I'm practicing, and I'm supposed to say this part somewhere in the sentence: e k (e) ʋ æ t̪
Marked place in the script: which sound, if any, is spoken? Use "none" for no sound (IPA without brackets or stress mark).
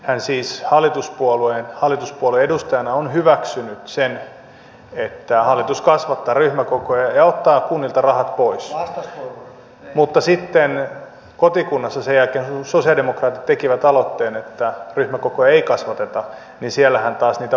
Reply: i